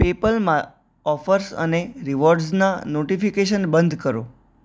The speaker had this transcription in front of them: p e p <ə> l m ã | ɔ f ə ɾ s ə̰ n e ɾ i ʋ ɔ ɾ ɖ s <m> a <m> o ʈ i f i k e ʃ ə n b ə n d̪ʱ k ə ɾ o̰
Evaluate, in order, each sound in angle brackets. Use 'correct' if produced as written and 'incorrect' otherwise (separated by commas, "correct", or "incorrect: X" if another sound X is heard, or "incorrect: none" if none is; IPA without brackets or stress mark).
correct, incorrect: n, incorrect: n